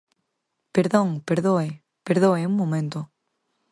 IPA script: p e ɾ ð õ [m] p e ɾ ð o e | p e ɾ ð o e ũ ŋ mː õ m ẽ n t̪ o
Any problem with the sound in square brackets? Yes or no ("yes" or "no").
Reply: yes